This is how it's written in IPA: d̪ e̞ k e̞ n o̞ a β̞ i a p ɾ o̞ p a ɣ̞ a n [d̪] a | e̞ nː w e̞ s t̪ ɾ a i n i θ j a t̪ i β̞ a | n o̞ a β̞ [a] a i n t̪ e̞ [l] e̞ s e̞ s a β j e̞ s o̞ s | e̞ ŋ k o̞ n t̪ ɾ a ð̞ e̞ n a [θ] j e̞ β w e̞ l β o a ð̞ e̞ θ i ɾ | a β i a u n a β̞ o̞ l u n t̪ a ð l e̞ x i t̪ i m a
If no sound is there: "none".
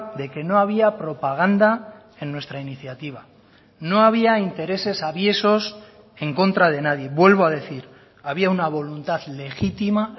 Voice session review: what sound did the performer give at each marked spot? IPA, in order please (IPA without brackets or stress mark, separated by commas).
d̪, i, ɾ, ð